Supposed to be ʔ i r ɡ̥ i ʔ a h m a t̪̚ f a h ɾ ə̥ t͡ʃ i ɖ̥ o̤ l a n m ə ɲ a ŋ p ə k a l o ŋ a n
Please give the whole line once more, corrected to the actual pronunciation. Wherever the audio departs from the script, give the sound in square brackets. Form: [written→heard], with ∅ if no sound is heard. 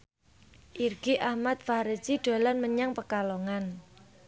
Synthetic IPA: ʔ i r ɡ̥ i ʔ a h m a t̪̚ f a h ɾ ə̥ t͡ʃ i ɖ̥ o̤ l a n m ə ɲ a ŋ p ə k a l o ŋ a n